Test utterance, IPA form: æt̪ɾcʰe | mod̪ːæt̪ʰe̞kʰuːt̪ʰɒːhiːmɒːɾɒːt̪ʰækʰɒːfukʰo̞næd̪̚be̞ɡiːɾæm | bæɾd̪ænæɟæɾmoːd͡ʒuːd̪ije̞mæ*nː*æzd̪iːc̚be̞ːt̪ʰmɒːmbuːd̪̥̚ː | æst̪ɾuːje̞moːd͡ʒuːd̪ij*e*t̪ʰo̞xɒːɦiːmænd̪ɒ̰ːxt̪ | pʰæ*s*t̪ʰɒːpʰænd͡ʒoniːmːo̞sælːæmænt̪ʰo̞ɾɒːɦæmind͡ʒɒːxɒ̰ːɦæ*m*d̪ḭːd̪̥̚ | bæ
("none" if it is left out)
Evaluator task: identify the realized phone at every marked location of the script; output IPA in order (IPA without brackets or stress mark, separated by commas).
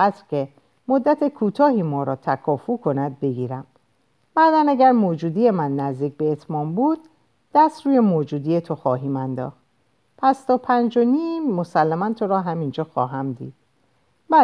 nː, e, s, m